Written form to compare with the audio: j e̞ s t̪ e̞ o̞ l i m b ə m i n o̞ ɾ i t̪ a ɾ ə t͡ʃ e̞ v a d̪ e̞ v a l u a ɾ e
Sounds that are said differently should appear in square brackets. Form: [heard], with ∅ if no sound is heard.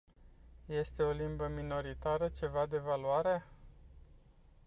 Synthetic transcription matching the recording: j e̞ s t̪ e̞ o̞ l i m b ə m i n o̞ ɾ i t̪ a ɾ ə t͡ʃ e̞ v a d̪ e̞ v a l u a ɾ e